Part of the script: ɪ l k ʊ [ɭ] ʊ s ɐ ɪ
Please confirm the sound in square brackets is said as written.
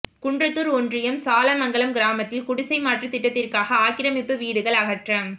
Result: no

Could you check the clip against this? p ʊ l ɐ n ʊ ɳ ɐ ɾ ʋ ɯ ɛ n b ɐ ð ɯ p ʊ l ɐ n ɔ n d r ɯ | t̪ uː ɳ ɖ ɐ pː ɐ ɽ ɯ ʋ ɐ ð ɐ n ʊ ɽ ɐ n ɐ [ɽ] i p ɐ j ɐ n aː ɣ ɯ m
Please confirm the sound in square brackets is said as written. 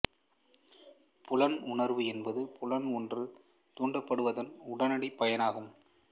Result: yes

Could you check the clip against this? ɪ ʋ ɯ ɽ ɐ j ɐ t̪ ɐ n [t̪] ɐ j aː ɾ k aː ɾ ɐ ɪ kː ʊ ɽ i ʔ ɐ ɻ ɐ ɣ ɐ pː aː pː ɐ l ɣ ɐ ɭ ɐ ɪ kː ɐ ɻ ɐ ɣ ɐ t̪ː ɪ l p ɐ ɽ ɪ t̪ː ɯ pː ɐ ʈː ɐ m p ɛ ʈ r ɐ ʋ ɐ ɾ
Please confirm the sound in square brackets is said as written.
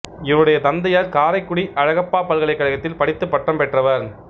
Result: no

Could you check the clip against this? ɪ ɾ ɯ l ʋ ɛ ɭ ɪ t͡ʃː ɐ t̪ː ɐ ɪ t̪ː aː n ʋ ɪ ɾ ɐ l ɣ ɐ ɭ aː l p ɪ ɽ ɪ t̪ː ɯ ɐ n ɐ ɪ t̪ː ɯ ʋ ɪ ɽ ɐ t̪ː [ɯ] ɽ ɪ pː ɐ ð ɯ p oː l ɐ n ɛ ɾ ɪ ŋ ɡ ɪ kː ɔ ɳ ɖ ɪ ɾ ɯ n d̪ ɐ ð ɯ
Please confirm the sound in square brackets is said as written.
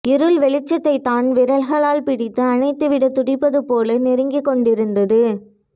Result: no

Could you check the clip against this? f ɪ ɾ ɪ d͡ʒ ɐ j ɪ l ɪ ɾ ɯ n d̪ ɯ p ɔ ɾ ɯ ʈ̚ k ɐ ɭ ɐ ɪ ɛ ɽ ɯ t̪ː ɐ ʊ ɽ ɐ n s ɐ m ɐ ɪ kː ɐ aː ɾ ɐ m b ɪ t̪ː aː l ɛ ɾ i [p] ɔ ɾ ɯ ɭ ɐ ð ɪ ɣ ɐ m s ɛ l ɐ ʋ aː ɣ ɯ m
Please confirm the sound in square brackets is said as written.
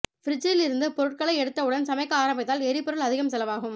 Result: yes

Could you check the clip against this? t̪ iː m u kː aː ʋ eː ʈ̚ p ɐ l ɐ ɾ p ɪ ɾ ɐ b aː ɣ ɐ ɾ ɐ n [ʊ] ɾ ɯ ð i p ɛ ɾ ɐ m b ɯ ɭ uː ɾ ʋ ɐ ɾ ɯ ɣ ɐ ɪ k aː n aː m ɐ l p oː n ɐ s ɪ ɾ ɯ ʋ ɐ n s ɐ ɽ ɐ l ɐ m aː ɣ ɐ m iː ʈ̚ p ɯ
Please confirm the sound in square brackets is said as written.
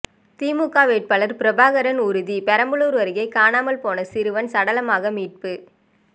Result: yes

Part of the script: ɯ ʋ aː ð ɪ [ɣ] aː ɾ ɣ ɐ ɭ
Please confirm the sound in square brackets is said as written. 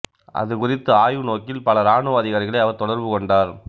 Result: yes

